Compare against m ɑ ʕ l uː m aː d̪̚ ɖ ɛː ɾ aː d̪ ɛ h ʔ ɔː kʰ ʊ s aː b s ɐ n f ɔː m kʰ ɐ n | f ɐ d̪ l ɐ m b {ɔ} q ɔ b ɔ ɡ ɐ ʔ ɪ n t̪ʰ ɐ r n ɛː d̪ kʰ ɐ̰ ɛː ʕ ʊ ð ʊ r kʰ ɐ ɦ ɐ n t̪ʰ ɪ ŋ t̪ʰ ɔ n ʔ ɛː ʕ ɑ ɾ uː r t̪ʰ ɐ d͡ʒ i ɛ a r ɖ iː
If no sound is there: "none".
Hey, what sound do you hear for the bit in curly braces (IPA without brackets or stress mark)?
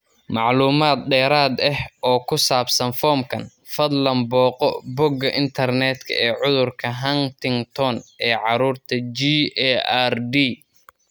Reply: ɔː